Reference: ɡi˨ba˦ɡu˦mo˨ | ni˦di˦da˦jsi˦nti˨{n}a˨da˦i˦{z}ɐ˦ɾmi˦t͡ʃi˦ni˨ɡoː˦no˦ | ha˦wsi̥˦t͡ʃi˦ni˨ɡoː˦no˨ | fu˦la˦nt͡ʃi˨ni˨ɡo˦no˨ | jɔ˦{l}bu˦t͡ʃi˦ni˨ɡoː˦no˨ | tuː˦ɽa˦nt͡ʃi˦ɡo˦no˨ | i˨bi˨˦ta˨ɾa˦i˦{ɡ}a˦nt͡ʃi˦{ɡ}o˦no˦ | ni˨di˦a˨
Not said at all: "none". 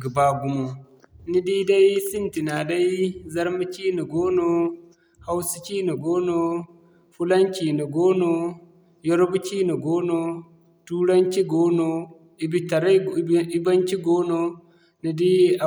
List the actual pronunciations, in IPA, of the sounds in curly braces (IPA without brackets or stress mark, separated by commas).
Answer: n, z, ɾ, b, ɡ